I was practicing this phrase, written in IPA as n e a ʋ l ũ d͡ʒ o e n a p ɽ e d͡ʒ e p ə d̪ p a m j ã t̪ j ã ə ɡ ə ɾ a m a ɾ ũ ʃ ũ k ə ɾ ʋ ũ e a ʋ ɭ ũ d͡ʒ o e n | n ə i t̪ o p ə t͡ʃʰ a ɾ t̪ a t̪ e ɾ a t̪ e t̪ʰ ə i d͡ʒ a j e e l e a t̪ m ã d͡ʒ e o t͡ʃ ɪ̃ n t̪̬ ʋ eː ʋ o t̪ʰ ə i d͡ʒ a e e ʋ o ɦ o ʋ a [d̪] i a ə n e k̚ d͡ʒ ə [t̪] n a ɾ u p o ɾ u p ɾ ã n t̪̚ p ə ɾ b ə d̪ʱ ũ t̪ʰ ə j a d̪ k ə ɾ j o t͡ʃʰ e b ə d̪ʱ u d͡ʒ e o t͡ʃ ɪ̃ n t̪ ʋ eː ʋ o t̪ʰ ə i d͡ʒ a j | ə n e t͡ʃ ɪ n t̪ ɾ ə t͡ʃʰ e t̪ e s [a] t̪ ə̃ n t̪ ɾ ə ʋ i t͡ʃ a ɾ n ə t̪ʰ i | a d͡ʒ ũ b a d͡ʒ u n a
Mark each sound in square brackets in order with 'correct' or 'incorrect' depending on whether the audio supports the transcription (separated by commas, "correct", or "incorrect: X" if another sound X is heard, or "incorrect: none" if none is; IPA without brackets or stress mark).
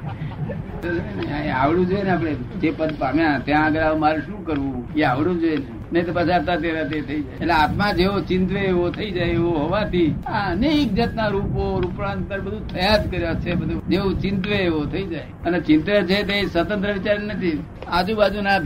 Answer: incorrect: t̪, correct, incorrect: ə